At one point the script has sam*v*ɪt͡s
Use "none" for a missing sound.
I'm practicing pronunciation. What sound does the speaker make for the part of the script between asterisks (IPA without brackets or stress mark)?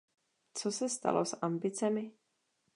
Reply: b